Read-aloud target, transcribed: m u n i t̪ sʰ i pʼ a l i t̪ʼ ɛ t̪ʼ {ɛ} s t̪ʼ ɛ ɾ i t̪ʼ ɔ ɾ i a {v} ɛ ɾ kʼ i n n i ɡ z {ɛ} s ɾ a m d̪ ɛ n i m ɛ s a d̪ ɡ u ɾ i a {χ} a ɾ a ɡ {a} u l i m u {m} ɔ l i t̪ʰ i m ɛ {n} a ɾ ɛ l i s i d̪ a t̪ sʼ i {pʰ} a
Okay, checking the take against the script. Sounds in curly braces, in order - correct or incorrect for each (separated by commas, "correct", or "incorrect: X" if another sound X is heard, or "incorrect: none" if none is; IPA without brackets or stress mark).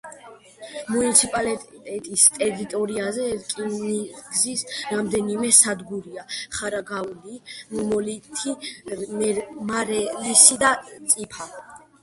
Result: incorrect: i, incorrect: z, incorrect: i, correct, correct, correct, incorrect: m, correct